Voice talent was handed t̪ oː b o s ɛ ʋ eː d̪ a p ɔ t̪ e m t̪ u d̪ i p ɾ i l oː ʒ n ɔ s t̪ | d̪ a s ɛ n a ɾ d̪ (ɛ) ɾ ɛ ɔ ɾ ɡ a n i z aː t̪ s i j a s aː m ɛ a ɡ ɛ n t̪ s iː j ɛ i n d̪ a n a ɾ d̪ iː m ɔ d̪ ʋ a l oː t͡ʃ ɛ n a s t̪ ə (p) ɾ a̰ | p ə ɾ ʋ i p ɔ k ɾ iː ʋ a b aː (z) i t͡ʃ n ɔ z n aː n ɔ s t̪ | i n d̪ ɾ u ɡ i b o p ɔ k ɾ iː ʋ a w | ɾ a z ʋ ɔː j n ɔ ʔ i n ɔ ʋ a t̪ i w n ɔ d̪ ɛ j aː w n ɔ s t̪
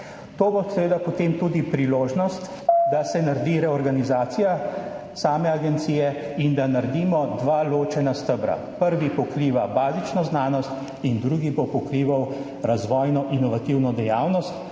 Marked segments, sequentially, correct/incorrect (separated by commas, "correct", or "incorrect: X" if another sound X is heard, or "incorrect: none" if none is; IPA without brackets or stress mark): incorrect: i, incorrect: b, correct